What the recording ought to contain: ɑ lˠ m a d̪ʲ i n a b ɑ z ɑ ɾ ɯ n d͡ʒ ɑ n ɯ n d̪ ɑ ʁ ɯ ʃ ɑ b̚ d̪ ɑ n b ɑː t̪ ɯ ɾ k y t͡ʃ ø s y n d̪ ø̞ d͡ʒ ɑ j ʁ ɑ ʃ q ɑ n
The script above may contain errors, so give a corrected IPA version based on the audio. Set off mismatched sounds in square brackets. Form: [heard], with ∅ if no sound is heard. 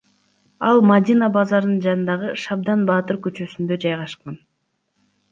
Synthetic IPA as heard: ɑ lˠ m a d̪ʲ i n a b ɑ z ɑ ɾ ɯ n d͡ʒ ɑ n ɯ n d̪ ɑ ʁ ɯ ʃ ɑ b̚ d̪ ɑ n b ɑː t̪ ɯ ɾ k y t͡ʃ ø s y n d̪ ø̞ d͡ʒ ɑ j ʁ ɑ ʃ q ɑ n